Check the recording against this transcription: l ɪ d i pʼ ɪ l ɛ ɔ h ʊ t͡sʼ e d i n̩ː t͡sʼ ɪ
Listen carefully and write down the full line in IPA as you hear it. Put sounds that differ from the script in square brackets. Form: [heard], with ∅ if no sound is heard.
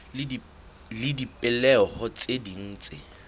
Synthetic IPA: l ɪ d i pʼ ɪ l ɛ ɔ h ʊ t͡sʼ e d i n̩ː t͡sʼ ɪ